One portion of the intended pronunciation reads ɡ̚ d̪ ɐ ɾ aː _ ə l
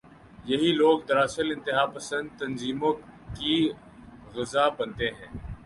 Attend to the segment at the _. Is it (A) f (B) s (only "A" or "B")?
B